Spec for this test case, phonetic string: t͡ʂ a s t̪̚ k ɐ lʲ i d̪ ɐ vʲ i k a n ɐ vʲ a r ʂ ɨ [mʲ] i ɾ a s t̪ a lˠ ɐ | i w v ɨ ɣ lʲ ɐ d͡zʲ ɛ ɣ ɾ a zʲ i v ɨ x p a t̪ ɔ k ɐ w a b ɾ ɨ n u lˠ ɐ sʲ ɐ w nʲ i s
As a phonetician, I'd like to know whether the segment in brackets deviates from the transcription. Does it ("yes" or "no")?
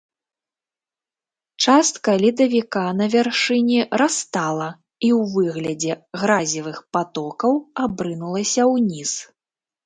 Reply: yes